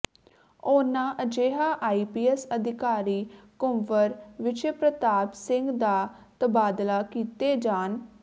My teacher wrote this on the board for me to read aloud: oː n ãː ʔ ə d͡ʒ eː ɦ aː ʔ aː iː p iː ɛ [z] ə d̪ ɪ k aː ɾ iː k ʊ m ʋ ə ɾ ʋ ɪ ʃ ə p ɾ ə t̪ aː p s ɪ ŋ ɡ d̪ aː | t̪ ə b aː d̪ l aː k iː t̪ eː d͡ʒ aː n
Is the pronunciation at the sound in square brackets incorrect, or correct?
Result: incorrect